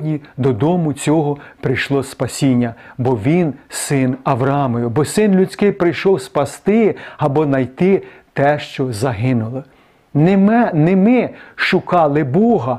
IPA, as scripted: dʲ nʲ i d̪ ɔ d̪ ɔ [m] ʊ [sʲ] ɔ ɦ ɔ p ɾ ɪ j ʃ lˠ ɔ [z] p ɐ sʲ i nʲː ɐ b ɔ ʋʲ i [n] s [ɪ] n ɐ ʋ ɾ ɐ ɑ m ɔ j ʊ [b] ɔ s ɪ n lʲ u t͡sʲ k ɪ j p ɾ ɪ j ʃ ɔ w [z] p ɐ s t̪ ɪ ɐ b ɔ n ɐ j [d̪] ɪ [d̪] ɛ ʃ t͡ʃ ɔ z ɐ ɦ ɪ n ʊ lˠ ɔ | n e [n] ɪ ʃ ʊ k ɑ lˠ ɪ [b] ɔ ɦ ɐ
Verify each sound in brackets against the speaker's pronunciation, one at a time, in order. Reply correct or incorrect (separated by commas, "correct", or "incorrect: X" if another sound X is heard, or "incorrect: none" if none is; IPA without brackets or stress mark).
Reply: correct, incorrect: t͡sʲ, incorrect: s, correct, correct, correct, incorrect: s, incorrect: t̪, incorrect: t̪, incorrect: m, correct